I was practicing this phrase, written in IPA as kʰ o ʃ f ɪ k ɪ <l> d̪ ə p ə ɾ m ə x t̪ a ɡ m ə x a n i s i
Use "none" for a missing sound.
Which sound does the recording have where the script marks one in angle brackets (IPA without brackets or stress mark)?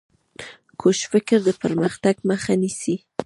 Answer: ɾ